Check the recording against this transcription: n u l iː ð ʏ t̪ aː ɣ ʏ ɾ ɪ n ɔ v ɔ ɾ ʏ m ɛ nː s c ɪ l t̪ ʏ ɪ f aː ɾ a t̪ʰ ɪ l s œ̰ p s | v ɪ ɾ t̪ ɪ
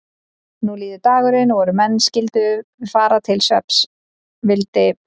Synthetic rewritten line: n u l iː ð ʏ t̪ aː ɣ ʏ ɾ ɪ n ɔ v ɔ ɾ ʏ m ɛ nː s c ɪ l t̪ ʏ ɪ f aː ɾ a t̪ʰ ɪ l s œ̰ p s | v ɪ l t̪ ɪ